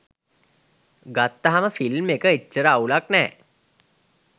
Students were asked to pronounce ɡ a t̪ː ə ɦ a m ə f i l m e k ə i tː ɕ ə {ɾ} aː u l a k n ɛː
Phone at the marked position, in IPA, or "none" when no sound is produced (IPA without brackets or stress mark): ɾ